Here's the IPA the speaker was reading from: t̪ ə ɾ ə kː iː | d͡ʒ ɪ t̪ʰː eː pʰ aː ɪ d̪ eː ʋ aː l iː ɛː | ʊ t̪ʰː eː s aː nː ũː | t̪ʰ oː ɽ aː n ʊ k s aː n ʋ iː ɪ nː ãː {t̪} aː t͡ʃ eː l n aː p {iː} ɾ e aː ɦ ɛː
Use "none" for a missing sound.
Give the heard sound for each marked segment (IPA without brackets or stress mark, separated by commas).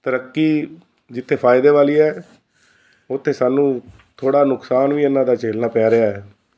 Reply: d̪, ɛː